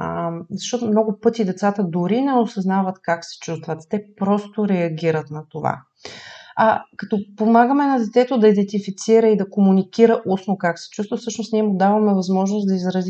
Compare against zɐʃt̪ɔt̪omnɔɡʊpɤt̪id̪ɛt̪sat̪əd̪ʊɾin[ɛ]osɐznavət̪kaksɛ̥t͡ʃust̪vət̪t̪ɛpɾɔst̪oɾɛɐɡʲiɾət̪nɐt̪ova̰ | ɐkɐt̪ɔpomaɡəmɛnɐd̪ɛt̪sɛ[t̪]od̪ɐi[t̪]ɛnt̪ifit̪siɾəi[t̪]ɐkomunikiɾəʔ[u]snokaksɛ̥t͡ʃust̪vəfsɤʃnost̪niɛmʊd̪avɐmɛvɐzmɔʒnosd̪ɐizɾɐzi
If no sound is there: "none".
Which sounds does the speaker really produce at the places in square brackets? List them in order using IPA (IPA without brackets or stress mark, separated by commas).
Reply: ɛ, t̪, d̪, d̪, u